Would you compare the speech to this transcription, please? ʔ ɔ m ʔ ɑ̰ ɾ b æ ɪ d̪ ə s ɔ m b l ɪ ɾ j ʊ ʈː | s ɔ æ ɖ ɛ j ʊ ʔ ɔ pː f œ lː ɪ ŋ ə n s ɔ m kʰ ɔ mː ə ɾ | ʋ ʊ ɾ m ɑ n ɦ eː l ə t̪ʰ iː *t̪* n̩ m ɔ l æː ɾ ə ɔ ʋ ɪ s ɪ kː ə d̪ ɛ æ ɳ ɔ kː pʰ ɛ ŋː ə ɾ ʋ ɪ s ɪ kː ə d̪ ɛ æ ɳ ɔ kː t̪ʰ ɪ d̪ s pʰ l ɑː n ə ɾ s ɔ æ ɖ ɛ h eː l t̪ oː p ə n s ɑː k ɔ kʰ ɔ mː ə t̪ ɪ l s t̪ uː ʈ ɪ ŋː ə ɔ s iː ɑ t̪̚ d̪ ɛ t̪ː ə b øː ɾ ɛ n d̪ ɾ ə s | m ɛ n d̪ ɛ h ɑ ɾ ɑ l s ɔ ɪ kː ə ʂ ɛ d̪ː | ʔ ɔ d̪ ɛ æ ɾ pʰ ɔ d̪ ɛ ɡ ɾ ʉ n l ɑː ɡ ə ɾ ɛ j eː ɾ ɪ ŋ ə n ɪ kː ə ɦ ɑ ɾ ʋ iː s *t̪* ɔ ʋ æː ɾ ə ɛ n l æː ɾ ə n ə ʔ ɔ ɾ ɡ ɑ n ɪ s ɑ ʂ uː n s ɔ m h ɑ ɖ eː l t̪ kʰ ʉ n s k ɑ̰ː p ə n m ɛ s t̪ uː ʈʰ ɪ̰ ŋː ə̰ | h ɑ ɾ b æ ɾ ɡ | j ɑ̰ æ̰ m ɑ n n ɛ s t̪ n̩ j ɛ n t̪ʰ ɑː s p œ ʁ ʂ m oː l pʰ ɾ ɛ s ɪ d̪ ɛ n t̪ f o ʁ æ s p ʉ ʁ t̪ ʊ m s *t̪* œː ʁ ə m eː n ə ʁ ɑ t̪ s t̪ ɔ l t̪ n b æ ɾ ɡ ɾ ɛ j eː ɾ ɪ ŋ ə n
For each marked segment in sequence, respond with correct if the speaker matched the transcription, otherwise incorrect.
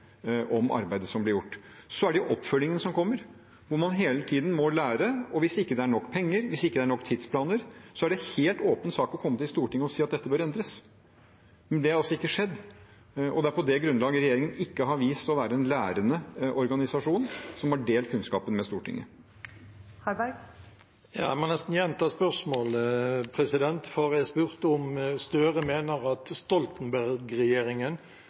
incorrect, correct, correct

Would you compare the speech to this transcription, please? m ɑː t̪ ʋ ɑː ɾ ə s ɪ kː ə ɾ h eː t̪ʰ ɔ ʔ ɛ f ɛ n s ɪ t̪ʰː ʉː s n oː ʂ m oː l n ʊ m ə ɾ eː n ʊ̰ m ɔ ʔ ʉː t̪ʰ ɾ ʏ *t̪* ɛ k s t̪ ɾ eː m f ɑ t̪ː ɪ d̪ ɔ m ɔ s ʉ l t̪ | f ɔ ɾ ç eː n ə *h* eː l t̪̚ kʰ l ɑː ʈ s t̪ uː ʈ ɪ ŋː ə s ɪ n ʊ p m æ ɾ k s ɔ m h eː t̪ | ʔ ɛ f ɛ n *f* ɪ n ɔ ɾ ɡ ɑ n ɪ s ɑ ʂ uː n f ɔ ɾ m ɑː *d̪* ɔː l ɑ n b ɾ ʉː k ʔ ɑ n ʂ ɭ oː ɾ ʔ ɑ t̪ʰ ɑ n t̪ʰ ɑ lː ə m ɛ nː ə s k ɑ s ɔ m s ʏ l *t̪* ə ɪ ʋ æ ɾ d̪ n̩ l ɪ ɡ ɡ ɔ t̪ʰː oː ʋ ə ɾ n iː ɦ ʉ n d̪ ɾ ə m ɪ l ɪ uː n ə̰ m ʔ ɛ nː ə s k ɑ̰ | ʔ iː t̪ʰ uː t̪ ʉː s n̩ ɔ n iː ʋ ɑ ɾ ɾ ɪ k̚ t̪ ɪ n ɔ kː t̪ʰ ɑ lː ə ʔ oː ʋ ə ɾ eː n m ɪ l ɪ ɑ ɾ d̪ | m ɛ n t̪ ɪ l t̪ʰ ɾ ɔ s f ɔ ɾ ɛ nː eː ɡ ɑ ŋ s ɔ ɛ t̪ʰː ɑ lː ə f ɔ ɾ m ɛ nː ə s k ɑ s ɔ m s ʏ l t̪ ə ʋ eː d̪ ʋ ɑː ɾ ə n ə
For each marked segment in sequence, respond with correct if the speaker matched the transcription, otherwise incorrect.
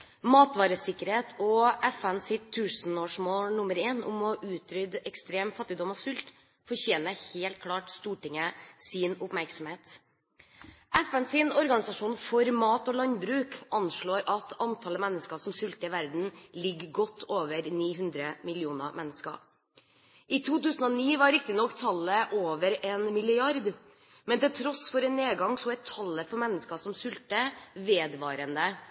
incorrect, correct, incorrect, incorrect, correct

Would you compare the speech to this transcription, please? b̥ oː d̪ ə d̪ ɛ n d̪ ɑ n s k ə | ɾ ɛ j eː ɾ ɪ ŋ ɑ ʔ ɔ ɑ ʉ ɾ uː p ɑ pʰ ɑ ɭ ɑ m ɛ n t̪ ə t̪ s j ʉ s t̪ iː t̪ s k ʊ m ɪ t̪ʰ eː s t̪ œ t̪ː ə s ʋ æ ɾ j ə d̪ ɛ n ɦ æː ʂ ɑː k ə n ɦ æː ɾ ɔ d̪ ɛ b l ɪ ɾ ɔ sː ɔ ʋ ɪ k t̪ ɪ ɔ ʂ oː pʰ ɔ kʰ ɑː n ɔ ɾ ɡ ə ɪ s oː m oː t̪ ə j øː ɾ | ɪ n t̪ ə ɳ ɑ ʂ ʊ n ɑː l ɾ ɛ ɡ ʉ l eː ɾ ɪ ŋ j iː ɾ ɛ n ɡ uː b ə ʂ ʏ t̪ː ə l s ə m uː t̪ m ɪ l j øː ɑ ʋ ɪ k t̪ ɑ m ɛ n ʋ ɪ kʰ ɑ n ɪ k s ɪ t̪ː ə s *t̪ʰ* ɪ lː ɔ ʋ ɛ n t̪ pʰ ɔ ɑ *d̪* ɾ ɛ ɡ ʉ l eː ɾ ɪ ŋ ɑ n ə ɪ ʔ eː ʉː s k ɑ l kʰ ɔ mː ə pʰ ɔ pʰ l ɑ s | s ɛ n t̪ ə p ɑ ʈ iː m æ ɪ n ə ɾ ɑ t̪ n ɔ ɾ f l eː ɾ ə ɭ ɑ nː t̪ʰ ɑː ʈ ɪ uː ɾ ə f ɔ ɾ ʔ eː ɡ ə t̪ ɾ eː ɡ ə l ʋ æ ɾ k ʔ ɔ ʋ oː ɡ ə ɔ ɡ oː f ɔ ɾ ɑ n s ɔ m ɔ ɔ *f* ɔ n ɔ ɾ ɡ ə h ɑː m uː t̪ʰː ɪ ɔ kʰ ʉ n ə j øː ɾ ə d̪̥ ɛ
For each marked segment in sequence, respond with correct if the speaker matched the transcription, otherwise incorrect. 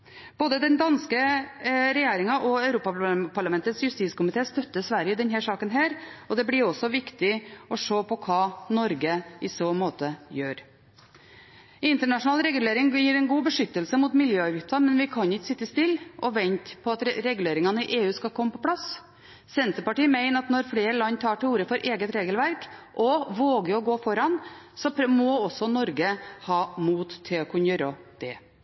incorrect, incorrect, incorrect

